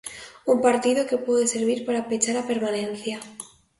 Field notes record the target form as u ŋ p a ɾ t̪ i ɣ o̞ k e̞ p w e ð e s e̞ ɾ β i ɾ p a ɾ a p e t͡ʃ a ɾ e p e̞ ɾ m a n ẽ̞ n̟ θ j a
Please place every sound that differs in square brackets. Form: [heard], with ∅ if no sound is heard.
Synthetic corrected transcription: u [m] p a ɾ t̪ i [ð] o̞ k e̞ p w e ð e s e̞ ɾ β i ɾ p a ɾ a p e t͡ʃ a ɾ [a] p e̞ ɾ m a n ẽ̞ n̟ θ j a